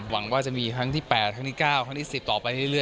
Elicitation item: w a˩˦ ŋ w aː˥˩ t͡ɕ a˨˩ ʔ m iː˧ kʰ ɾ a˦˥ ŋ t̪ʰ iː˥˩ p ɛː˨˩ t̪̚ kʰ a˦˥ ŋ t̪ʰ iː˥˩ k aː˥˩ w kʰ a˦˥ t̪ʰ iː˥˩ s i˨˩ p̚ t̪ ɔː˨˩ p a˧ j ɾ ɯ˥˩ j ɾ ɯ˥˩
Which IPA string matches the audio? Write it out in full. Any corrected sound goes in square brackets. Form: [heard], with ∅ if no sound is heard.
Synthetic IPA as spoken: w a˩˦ ŋ w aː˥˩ t͡ɕ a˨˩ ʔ m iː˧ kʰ ɾ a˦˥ ŋ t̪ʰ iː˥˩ p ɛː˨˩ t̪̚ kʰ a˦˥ ŋ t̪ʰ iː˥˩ k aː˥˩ w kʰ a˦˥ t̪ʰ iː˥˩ s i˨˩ p̚ t̪ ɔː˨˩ p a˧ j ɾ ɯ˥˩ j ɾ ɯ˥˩